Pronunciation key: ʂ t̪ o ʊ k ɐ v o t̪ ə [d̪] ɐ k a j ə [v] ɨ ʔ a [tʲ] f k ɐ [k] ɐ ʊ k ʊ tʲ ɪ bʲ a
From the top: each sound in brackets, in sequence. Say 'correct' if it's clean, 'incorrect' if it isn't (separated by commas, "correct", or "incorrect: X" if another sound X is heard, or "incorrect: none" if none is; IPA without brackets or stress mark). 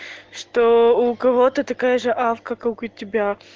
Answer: incorrect: t̪, incorrect: ʐ, incorrect: none, correct